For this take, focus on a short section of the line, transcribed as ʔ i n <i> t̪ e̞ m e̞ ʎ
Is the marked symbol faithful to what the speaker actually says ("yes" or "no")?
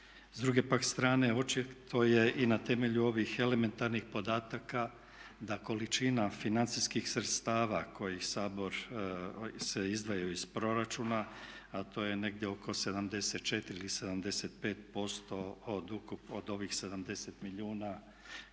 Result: no